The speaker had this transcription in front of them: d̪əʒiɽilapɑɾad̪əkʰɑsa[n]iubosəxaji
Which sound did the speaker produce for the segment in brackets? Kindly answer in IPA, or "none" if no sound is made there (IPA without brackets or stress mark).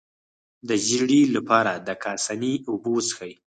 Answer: n